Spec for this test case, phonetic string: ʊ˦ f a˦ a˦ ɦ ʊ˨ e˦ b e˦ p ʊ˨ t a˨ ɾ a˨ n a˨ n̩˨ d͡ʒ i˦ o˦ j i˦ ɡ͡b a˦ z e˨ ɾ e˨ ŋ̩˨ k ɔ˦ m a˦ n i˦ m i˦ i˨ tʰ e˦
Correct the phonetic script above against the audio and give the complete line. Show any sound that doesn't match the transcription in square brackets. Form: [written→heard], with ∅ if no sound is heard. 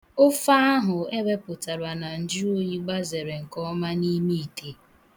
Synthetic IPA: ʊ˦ f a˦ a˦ ɦ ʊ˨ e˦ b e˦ p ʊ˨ t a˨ ɾ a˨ n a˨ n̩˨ d͡ʒ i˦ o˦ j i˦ ɡ͡b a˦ z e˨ ɾ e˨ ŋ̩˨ k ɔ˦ m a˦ n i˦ m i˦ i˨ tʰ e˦

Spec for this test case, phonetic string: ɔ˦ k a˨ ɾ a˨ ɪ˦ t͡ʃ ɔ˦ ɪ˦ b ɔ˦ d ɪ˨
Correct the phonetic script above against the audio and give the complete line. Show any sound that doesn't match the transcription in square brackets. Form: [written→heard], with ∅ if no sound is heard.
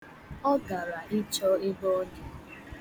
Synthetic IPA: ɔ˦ [k→ɡ] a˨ ɾ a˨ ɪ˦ t͡ʃ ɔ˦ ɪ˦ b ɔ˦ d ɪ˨

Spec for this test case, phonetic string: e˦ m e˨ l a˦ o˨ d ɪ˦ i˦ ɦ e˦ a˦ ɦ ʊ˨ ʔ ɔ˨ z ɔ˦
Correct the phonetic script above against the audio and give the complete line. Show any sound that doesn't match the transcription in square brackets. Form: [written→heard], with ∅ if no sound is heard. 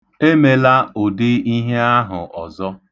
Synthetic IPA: e˦ m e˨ l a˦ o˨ d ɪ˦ i˦ ɦ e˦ a˦ ɦ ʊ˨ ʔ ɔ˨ z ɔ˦

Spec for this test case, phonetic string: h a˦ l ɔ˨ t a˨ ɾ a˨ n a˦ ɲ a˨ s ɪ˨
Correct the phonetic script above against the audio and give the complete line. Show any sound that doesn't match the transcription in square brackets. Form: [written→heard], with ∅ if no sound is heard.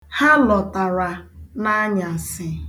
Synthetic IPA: h a˦ l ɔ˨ t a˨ ɾ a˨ n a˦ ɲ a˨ s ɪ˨

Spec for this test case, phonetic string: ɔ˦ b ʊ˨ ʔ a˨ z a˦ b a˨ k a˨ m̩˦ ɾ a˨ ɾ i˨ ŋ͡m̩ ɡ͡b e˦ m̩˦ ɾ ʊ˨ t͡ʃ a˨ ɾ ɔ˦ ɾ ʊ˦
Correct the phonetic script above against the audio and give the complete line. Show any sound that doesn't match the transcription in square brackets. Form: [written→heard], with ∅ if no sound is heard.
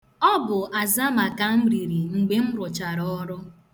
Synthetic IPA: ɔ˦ b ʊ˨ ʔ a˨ z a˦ [b→m] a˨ k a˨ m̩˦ ɾ [a˨→i˨] ɾ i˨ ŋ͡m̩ ɡ͡b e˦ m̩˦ ɾ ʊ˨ t͡ʃ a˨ ɾ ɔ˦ ɾ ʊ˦

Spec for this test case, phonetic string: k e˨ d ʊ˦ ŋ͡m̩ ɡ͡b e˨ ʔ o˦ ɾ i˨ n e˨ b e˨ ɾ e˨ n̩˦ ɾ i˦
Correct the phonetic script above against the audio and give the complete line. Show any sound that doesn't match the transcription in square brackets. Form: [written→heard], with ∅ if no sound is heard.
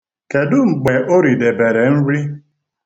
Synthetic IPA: k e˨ d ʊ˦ ŋ͡m̩ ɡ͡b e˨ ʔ o˦ ɾ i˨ [n→d] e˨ b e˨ ɾ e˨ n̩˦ ɾ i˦

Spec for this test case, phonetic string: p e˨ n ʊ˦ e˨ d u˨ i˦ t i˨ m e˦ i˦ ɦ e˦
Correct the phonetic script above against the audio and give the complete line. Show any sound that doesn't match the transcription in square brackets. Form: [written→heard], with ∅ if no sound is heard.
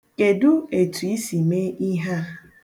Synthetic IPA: [p→k] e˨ [n→d] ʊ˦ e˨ [d→t] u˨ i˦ [t→s] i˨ m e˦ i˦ ɦ [e˦→a˦]

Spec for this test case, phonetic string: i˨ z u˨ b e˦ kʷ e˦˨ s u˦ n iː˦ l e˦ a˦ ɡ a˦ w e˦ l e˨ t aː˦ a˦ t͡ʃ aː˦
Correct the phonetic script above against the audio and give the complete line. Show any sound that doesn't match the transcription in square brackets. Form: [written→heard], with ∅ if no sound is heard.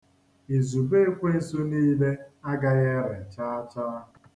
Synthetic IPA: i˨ z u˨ b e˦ kʷ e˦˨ s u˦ n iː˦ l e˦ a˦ ɡ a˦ [w→ɣ] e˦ [l→ɾ] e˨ [t→t͡ʃ] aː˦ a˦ t͡ʃ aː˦

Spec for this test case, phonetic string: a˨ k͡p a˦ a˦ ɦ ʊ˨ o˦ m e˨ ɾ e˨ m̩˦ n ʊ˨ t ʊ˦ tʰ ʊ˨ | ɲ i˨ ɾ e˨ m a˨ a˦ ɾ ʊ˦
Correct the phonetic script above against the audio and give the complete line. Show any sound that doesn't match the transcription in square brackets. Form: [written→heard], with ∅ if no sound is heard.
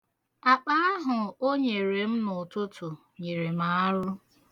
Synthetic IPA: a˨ k͡p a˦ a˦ ɦ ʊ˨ o˦ [m→ɲ] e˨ ɾ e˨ m̩˦ n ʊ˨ t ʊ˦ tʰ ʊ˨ | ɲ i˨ ɾ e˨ m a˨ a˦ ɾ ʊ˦

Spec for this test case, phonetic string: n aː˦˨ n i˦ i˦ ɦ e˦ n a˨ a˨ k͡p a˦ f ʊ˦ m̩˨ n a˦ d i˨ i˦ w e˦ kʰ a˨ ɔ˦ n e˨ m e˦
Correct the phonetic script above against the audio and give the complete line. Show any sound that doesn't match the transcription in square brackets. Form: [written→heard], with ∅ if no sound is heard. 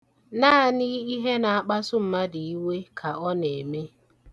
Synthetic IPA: n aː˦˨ n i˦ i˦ ɦ e˦ n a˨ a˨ k͡p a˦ [f→s] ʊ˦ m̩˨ [n→m] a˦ d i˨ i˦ w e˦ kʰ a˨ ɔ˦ n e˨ m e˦

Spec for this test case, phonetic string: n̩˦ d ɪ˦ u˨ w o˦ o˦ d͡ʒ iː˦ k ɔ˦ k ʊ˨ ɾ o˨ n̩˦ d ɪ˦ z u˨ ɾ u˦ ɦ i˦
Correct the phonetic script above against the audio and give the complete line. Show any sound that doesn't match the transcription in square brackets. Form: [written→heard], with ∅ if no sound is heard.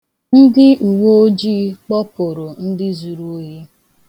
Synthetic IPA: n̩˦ d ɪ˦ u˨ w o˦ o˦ d͡ʒ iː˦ [k→k͡p] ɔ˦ [k→p] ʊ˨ ɾ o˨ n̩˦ d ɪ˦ z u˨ ɾ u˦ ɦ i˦

